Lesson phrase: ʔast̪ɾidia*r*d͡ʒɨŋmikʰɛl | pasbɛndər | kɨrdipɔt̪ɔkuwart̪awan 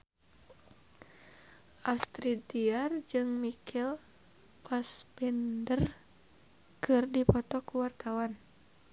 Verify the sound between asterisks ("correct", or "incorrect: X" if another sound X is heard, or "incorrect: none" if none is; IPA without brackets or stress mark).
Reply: correct